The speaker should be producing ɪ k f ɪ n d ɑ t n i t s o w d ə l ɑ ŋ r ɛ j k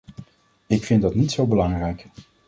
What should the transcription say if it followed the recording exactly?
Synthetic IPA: ɪ k f ɪ n d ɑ t n i t s o w b ə l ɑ ŋ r ɛ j k

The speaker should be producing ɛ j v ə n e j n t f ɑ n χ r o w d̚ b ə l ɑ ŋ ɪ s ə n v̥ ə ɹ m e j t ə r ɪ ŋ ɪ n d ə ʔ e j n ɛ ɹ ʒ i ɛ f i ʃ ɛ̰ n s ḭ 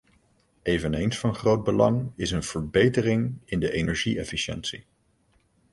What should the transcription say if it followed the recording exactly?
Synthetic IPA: e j v ə n e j n s f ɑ n χ r o w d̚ b ə l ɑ ŋ ɪ s ə n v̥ ə ɹ b e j t ə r ɪ ŋ ɪ n d ə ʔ e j n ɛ ɹ ʒ i ɛ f i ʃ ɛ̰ n s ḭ

